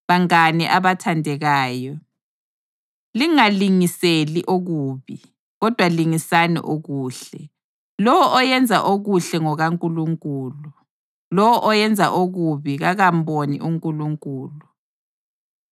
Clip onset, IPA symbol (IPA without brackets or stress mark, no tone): β